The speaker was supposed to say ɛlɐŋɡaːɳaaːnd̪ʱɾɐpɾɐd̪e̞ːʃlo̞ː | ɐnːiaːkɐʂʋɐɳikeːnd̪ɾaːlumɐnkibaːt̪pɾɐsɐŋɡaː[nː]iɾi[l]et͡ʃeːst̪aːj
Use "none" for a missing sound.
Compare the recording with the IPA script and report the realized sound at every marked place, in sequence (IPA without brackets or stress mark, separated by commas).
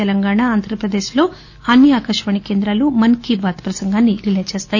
nː, l